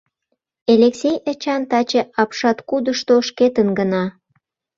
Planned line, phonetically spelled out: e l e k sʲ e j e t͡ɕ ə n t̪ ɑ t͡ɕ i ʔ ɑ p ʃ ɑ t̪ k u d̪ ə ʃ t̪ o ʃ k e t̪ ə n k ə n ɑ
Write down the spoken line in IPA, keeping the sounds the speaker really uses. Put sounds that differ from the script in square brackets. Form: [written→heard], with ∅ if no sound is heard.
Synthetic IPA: e l e k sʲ e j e t͡ɕ [ə→ɑ] n t̪ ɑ t͡ɕ [i→e] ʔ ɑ p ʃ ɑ t̪ k u d̪ ə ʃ t̪ o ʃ k e t̪ ə n [k→ɡ] ə n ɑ